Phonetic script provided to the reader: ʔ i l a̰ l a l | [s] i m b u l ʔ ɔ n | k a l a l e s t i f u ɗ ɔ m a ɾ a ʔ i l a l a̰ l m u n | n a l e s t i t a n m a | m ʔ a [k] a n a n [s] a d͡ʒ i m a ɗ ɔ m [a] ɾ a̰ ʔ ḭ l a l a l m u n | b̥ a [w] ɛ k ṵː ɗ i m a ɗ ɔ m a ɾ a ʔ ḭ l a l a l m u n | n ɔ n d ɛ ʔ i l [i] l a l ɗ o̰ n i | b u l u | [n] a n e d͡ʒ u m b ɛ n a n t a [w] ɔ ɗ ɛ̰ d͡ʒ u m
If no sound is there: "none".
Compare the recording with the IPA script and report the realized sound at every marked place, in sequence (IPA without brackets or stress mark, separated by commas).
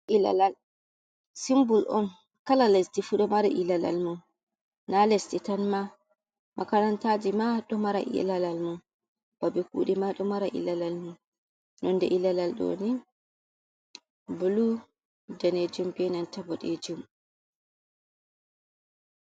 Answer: s, k, t, a, b, a, d, b